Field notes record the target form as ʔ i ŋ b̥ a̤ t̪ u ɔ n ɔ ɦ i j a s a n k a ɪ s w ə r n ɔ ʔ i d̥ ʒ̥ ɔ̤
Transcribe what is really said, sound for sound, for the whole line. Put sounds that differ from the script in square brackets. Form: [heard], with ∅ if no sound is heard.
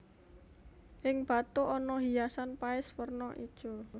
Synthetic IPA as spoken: ʔ [ɪ] ŋ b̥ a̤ t̪ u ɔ n ɔ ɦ i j a s a n [p] a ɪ s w ə r n ɔ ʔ i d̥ ʒ̥ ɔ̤